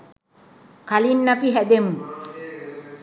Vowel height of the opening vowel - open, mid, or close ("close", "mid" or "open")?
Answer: open